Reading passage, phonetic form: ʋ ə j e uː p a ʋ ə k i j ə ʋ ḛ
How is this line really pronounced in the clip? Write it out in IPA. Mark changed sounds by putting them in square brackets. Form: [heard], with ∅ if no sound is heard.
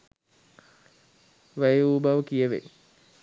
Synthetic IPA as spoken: ʋ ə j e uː [b] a ʋ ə k i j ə ʋ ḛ